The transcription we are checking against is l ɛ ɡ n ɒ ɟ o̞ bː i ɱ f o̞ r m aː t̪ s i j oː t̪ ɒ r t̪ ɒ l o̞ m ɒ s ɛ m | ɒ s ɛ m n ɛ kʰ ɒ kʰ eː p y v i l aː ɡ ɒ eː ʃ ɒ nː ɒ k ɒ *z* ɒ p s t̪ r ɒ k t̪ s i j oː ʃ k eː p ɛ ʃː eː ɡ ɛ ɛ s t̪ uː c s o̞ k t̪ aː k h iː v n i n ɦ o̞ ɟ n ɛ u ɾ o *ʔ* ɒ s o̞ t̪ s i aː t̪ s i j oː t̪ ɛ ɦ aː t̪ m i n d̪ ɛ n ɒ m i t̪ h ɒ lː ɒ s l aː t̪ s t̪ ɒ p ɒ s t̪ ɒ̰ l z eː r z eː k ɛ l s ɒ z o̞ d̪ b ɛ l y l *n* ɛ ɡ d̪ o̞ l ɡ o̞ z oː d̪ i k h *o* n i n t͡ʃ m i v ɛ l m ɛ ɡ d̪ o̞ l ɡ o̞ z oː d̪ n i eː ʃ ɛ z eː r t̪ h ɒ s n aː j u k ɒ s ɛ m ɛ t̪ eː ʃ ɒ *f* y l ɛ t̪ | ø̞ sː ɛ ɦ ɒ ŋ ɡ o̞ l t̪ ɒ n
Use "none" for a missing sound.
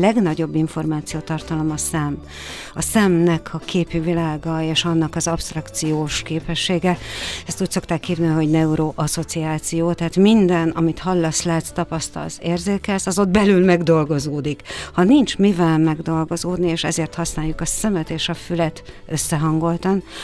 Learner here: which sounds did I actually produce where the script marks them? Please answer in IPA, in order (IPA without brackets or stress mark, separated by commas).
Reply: z, ʔ, m, ɒ, f